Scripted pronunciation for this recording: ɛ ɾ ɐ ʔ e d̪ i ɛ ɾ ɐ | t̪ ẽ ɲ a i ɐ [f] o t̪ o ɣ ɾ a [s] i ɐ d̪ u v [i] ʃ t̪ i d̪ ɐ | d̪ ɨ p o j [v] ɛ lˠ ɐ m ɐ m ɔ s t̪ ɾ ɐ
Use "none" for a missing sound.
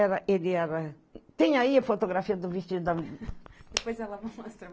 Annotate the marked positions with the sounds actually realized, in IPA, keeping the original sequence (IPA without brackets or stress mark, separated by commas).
f, f, i, z